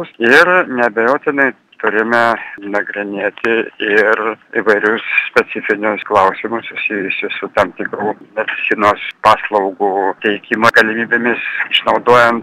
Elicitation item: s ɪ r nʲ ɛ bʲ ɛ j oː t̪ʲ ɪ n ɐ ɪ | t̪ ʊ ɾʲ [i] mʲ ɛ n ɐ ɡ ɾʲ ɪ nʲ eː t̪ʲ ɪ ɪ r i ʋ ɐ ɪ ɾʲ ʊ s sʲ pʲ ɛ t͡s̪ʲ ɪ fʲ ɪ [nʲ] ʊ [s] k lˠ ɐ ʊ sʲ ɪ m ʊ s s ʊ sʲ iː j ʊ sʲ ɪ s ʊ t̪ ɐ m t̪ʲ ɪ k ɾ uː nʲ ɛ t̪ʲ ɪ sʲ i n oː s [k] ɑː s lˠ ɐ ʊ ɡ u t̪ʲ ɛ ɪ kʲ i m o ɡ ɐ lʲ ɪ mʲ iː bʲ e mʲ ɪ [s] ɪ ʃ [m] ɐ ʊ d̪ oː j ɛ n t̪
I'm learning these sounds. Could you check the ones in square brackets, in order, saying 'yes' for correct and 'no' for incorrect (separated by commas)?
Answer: no, yes, yes, no, yes, no